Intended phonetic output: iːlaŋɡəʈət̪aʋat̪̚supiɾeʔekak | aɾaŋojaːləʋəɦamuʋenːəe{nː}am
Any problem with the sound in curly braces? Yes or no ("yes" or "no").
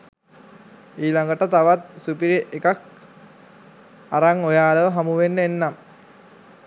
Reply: no